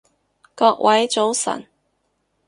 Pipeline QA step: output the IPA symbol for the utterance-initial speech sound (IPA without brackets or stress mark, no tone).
k